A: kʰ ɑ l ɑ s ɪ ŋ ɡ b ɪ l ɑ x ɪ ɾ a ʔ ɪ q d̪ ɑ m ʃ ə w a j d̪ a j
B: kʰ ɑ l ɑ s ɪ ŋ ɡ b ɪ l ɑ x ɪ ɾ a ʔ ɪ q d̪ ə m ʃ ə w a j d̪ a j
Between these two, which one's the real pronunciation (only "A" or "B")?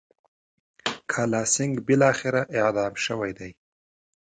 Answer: A